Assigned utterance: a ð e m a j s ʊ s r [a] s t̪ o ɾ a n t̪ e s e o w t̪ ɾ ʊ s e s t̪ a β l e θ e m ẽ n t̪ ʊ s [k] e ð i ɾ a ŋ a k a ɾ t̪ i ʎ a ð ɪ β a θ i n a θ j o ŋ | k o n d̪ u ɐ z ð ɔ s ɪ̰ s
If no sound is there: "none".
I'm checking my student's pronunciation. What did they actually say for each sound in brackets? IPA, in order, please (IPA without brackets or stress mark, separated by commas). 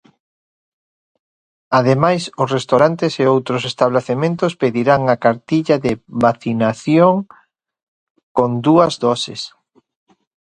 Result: e, p